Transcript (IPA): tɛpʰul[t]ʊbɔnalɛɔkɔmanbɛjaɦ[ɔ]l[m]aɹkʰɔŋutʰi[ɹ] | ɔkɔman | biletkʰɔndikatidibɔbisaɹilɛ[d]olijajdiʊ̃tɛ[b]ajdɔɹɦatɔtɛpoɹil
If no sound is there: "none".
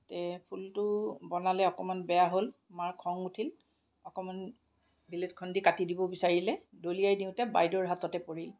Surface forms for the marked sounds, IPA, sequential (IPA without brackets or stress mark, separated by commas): t, o, m, l, d, b